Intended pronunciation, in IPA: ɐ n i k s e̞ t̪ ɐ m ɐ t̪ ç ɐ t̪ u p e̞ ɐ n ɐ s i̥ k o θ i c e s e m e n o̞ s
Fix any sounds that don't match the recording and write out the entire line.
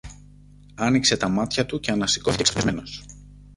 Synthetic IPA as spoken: ɐ n i k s e̞ t̪ ɐ m ɐ t̪ ç ɐ t̪ u c e̞ ɐ n ɐ s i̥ k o θ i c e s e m e n o̞ s